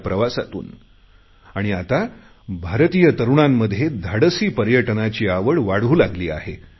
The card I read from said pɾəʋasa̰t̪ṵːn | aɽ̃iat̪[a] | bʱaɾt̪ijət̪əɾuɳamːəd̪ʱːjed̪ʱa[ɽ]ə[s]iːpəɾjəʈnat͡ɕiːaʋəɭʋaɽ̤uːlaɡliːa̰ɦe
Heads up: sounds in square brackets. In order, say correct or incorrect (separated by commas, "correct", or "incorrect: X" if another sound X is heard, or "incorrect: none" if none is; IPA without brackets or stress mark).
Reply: correct, correct, correct